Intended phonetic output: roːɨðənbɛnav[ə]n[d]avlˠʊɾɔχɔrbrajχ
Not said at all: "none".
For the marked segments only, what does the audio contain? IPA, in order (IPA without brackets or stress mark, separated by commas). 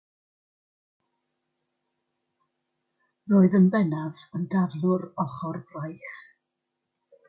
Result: ə, d